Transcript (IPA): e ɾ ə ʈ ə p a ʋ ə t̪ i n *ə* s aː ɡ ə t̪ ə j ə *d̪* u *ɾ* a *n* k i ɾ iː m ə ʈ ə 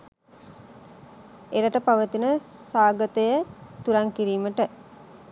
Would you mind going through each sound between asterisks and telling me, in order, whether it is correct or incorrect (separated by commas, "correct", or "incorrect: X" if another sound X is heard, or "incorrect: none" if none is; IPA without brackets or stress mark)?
correct, incorrect: t̪, correct, incorrect: ŋ